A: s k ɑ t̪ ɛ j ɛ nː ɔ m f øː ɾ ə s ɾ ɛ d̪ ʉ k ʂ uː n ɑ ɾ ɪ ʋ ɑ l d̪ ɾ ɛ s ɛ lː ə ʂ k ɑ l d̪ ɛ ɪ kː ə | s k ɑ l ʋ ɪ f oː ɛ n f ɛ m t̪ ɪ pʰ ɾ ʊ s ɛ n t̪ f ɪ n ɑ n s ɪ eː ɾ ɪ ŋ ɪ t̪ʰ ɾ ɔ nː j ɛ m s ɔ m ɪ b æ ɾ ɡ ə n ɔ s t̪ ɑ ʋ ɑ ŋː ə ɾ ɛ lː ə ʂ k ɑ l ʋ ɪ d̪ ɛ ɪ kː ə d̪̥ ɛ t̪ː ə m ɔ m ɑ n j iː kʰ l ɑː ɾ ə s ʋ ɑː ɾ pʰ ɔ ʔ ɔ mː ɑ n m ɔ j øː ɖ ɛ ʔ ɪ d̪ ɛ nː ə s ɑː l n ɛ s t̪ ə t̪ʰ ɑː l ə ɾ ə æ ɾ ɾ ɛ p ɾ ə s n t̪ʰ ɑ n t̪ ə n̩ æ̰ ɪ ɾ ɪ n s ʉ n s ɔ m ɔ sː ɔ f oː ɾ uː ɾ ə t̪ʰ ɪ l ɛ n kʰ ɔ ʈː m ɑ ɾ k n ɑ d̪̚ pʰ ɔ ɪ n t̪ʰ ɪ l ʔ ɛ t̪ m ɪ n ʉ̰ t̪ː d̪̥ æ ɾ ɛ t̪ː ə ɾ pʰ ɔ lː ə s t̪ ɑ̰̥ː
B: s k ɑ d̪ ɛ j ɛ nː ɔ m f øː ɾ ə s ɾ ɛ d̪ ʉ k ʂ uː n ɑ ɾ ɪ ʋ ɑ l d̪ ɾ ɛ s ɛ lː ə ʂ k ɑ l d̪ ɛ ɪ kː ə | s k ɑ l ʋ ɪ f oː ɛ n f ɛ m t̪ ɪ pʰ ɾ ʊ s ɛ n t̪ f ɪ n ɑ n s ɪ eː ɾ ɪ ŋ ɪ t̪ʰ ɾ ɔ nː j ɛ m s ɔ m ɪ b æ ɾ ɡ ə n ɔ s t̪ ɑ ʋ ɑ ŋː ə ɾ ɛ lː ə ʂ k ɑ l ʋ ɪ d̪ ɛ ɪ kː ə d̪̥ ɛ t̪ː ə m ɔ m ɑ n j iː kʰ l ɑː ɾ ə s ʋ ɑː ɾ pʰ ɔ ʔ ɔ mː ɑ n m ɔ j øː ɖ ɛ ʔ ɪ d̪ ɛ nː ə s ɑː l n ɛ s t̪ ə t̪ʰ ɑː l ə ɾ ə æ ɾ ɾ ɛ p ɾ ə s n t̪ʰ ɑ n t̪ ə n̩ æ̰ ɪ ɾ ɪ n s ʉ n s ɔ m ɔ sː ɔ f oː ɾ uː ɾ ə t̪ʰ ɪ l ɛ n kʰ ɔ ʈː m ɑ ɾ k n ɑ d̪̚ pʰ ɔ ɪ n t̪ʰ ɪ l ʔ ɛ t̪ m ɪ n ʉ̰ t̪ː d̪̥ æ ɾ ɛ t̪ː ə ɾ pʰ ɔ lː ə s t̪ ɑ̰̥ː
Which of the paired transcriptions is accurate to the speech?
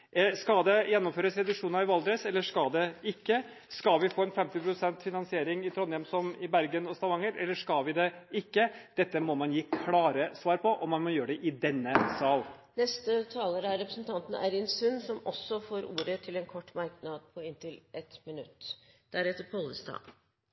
B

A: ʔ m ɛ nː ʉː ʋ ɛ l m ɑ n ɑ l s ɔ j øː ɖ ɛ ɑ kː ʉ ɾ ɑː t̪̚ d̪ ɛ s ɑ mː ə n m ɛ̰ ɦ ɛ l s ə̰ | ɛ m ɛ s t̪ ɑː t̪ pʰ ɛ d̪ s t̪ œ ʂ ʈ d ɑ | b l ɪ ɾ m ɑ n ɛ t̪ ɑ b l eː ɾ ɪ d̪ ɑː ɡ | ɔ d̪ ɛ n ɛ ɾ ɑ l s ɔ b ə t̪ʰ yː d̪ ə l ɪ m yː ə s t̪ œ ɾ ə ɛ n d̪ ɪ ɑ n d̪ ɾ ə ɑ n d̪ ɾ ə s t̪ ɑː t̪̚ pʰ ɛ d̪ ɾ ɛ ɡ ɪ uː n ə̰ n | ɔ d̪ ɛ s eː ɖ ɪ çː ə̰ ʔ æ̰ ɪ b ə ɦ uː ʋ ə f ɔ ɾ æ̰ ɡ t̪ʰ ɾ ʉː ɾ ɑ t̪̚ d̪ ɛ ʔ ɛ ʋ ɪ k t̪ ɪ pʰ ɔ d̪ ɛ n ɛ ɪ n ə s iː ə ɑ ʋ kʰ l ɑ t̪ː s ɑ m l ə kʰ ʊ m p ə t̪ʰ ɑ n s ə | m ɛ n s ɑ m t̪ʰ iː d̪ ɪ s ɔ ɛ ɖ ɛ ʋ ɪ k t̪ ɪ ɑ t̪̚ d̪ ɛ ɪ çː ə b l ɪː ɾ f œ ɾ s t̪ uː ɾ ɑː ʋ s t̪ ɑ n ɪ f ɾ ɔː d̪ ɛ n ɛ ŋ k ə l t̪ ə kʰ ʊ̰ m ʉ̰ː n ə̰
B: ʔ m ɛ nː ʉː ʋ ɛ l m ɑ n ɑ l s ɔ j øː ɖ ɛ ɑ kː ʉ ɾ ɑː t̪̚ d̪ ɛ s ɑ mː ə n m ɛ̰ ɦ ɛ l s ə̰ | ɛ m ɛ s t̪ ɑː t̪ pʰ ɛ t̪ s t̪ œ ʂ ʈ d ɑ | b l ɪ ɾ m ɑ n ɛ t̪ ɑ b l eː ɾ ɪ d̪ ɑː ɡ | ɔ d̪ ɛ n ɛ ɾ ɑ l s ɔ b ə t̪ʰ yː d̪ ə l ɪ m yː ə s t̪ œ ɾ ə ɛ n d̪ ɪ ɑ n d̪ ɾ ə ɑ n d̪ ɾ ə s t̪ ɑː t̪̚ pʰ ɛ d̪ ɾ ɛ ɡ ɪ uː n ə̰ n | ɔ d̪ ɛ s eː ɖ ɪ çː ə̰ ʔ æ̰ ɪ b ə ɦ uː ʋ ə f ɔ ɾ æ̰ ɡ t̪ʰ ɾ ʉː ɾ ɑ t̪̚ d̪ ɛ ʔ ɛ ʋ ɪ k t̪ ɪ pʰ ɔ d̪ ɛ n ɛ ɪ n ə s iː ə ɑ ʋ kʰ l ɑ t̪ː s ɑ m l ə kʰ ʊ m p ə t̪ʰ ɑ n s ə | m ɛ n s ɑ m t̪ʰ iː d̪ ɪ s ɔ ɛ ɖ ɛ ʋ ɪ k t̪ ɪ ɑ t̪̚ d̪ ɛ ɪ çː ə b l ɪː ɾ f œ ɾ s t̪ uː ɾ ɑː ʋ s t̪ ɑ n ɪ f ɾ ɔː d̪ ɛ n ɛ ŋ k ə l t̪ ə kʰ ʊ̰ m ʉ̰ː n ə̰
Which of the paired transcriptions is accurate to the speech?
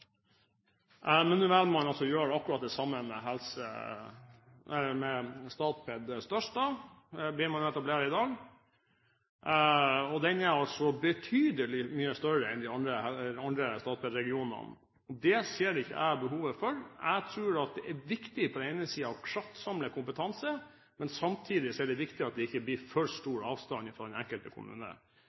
A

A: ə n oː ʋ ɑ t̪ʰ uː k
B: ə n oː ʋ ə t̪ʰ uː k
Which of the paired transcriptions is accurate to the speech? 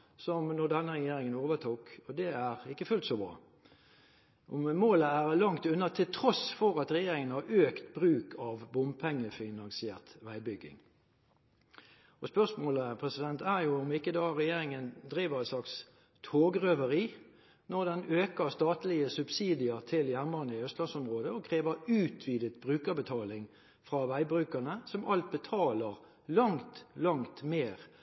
B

